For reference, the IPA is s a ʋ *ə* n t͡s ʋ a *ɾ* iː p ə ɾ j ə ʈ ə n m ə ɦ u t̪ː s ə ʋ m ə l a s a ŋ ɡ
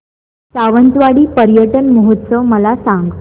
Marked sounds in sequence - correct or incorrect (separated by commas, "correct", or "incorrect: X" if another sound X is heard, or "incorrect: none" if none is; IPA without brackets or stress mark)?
correct, incorrect: ɽ